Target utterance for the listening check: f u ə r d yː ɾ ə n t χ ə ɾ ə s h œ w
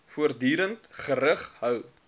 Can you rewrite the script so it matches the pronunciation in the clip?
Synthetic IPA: f u ə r d yː ɾ ə n t χ ə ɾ ə χ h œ w